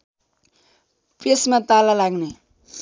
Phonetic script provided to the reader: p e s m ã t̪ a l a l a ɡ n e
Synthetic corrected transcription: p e s m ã t̪ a l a l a ɡ n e